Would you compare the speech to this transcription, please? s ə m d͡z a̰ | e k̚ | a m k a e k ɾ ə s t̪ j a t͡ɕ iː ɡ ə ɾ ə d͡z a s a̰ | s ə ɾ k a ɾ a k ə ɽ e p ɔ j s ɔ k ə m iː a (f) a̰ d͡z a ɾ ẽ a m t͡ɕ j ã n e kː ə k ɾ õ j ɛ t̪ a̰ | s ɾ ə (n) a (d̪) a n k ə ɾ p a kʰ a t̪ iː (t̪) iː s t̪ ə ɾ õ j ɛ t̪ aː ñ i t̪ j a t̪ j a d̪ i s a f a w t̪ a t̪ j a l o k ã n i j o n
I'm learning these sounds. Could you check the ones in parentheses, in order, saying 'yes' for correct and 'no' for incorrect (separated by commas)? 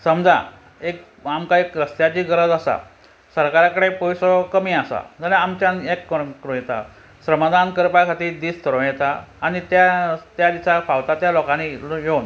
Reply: no, no, yes, no